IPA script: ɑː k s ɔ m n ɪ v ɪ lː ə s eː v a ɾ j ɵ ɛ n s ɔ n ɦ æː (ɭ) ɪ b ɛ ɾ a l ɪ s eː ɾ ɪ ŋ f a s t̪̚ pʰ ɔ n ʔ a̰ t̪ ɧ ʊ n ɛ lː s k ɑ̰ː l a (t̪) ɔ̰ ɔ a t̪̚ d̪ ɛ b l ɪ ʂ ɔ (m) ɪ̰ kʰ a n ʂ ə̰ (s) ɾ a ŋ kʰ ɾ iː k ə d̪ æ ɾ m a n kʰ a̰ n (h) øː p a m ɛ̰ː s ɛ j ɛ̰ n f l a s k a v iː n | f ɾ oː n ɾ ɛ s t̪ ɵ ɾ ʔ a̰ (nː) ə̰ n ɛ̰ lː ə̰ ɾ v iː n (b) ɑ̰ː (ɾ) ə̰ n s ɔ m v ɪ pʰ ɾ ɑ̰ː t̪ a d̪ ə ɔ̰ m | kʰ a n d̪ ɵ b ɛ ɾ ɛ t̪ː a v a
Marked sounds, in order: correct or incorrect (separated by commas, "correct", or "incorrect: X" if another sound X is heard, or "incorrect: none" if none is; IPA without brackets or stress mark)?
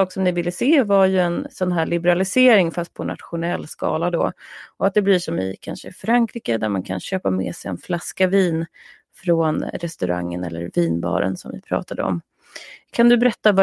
correct, incorrect: d̪, correct, incorrect: f, incorrect: ɕ, incorrect: ŋː, correct, correct